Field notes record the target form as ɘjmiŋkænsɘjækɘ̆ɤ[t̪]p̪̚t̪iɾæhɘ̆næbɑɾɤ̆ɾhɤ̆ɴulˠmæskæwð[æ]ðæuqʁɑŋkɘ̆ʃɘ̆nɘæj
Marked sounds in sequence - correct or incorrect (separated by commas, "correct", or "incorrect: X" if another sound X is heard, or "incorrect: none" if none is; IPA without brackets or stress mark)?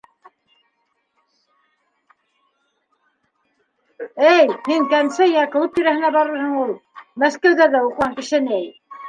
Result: incorrect: none, correct